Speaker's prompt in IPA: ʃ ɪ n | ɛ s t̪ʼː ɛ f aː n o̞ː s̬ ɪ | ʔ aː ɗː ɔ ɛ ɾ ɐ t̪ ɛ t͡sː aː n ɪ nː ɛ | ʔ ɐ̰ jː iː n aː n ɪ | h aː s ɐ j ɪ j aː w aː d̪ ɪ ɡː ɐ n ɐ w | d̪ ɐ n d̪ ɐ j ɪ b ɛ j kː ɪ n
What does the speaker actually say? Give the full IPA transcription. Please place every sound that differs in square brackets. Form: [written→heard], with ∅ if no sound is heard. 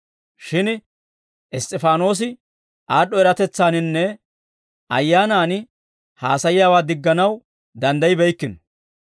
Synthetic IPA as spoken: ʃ ɪ n | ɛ s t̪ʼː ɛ f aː n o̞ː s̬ ɪ | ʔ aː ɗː ɔ ɛ ɾ ɐ t̪ ɛ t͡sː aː n ɪ nː ɛ | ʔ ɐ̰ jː [iː→aː] n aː n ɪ | h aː s ɐ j ɪ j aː w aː d̪ ɪ ɡː ɐ n ɐ w | d̪ ɐ n d̪ ɐ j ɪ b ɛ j kː ɪ n